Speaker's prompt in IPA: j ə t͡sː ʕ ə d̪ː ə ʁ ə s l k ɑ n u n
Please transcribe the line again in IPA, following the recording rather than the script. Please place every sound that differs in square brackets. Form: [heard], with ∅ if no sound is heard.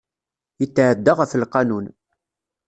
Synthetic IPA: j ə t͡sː ʕ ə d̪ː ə ʁ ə [f] l [q] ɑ n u n